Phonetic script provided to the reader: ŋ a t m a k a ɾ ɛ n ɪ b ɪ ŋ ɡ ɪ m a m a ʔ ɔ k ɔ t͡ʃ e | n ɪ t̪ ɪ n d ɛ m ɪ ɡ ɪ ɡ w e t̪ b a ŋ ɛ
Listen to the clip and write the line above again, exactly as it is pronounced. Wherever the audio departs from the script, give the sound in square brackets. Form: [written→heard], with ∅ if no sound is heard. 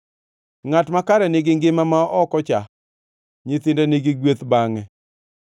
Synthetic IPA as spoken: ŋ a t m a k a ɾ ɛ n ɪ [b→ɡ] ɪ ŋ ɡ ɪ m a m a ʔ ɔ k ɔ t͡ʃ [e→a] | [n→ɲ] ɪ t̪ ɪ n d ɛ [m→n] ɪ ɡ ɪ ɡ w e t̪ b a ŋ ɛ